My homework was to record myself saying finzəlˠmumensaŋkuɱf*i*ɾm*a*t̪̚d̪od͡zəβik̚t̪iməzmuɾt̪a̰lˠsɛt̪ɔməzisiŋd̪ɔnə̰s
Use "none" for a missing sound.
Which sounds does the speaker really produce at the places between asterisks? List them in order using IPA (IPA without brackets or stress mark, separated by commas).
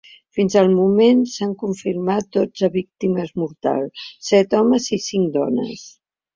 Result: i, a